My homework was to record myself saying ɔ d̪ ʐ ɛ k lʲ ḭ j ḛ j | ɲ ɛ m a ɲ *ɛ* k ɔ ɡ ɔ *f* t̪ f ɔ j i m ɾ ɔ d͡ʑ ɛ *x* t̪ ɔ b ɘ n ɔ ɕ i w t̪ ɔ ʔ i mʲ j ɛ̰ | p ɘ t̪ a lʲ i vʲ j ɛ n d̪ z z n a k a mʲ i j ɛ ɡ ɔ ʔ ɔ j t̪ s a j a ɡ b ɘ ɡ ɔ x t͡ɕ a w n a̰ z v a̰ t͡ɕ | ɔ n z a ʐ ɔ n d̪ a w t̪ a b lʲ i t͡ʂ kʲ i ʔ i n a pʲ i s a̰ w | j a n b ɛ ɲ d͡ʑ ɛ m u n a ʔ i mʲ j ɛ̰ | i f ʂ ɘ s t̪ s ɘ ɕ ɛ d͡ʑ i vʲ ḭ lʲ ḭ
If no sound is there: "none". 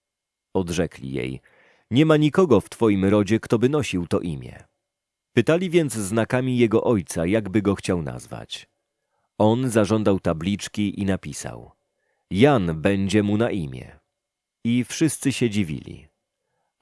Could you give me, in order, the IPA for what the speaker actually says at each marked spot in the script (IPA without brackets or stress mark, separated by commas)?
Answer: i, f, k